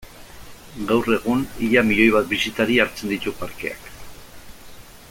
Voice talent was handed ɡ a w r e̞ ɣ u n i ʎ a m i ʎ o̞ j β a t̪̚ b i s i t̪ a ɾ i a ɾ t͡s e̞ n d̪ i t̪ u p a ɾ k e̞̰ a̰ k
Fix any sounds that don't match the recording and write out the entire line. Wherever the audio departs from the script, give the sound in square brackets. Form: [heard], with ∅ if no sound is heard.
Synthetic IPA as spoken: ɡ a w r e̞ ɣ u n i ʎ a m i ʎ o̞ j β a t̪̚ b i s i t̪ a ɾ i a ɾ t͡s e̞ n d̪ i t̪ u p a ɾ k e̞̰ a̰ k